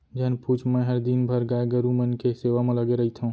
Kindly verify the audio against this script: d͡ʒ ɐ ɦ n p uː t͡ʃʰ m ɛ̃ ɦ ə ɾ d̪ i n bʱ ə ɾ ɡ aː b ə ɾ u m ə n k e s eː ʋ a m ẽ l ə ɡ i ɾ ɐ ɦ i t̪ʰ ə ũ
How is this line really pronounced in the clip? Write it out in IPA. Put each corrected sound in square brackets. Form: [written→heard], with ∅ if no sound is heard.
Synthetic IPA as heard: d͡ʒ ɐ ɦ n p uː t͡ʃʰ m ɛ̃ ɦ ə ɾ d̪ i n bʱ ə ɾ ɡ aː [b→ɡ] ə ɾ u m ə n k e s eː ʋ a m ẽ l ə ɡ [i→e] ɾ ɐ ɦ i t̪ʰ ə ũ